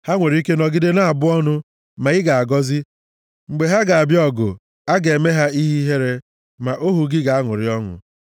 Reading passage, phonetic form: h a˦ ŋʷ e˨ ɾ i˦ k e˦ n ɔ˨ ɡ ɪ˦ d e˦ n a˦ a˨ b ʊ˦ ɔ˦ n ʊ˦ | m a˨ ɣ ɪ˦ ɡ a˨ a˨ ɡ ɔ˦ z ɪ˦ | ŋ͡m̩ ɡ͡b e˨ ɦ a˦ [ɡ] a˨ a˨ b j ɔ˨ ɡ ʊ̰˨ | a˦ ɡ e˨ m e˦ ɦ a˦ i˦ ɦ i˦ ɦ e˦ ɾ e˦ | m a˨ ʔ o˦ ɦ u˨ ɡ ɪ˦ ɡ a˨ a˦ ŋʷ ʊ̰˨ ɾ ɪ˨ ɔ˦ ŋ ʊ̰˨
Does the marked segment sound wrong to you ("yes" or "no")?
no